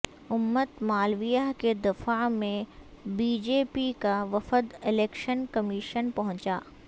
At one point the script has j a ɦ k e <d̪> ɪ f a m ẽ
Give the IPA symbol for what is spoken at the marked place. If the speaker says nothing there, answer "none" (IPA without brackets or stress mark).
d̪